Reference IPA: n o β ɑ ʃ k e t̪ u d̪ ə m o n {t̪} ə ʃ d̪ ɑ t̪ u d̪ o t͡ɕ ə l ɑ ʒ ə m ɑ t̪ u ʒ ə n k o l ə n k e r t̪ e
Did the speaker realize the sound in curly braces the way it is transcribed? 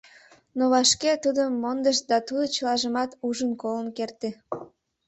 no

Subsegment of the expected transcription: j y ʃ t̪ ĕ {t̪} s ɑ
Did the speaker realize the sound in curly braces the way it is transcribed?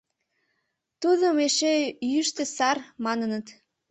no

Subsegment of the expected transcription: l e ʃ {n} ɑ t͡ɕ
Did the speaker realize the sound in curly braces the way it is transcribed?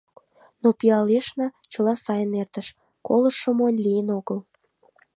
yes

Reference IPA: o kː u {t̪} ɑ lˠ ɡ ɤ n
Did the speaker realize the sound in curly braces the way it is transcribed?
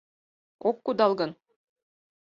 no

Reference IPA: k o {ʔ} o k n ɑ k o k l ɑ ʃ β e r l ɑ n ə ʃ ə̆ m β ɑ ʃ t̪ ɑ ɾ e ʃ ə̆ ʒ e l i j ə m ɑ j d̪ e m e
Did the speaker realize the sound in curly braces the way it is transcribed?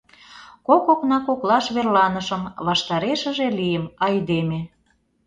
no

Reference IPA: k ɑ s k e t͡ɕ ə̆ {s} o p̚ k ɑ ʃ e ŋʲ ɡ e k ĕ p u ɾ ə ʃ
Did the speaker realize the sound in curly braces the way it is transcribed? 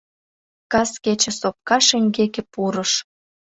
yes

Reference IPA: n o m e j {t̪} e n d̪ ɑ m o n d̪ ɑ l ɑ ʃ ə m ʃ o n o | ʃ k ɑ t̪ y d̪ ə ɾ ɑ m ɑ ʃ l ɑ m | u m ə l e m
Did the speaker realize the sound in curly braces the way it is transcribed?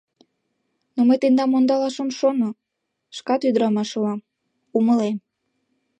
yes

